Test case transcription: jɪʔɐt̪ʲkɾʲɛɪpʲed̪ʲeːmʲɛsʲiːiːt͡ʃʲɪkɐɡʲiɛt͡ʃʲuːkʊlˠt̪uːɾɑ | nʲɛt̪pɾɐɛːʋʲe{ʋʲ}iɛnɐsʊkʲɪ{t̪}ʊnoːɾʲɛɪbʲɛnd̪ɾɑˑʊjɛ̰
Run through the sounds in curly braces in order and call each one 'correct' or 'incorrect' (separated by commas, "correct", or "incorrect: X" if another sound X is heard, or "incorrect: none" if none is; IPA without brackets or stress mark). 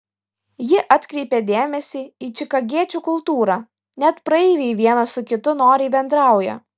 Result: correct, correct